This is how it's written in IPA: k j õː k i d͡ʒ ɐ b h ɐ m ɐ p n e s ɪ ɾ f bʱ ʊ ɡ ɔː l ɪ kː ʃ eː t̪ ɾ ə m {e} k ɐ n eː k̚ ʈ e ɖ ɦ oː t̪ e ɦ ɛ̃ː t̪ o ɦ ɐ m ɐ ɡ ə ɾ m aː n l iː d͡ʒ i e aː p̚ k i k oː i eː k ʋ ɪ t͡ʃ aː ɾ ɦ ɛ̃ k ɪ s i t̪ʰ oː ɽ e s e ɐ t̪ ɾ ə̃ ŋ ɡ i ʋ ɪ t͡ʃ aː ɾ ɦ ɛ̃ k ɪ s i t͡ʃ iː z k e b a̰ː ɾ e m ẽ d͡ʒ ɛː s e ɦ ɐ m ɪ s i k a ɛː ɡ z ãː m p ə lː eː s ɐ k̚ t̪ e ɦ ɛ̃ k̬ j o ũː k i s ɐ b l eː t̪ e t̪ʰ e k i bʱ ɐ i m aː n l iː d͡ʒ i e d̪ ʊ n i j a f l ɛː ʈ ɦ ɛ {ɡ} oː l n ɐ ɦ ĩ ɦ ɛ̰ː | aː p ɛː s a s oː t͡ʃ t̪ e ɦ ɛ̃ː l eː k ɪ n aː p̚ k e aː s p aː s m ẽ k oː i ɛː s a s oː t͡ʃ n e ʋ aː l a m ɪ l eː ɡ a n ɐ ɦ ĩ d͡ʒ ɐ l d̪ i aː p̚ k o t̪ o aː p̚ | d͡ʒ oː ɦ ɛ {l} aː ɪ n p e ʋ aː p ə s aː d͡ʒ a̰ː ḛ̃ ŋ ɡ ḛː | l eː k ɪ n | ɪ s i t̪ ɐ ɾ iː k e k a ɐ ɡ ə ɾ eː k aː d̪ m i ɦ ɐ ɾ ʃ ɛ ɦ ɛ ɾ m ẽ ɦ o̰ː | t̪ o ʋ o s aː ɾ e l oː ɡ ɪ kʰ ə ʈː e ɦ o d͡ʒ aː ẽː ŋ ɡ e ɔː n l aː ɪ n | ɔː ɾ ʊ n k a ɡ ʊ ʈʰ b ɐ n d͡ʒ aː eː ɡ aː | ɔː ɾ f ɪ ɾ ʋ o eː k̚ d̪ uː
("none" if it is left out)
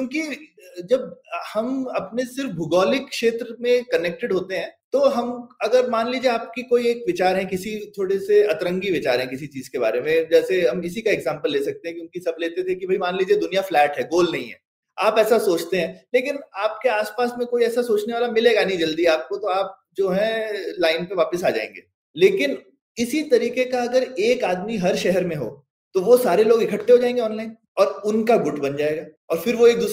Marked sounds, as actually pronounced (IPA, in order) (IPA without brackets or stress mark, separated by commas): ẽ, ɡ, l